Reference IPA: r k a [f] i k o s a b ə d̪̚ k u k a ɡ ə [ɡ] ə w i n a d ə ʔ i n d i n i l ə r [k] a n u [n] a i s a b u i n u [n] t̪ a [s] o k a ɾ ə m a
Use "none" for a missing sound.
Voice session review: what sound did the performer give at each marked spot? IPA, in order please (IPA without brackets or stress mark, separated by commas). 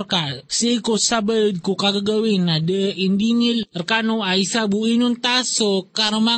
s, ɡ, k, none, n, s